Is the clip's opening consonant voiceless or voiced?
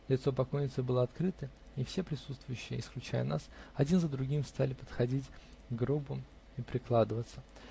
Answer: voiced